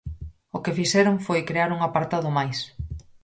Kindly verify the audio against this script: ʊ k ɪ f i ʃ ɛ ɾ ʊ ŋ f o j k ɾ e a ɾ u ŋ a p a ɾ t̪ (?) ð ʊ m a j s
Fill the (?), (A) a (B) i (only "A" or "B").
A